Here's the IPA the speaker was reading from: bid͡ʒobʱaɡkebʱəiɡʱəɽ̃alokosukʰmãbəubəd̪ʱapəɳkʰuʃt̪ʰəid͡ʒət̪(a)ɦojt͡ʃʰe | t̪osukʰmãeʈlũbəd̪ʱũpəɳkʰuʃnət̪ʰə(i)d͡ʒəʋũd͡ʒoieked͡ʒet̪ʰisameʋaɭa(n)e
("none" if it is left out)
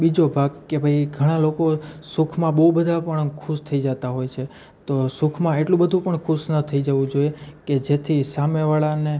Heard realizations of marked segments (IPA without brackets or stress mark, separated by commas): a, i, n